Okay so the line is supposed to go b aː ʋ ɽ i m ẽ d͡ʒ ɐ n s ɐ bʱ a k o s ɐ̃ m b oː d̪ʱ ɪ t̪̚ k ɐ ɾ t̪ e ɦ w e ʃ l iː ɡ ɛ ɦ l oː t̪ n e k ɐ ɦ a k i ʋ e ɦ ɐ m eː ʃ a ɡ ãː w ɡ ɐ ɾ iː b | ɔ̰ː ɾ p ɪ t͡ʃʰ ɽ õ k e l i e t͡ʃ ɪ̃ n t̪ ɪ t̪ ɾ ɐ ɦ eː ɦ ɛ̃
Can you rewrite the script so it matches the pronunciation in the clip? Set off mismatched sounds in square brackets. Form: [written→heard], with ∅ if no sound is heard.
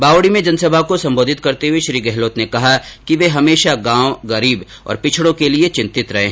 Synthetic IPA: b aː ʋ ɽ i m ẽ d͡ʒ ɐ n s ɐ bʱ a k o s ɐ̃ m b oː d̪ʱ ɪ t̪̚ k ɐ ɾ t̪ e ɦ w e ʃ [l→ɾ] iː ɡ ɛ ɦ l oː t̪ n e k ɐ ɦ a k i ʋ e ɦ ɐ m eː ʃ a ɡ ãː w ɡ ɐ ɾ iː b | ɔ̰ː ɾ p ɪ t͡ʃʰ ɽ õ k e l i e t͡ʃ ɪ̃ n t̪ ɪ t̪ ɾ ɐ ɦ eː ɦ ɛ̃